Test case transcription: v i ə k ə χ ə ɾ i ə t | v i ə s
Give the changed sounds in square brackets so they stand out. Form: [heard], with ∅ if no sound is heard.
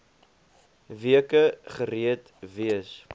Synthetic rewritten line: v i ə k ə χ ə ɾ i ə t | v i ə s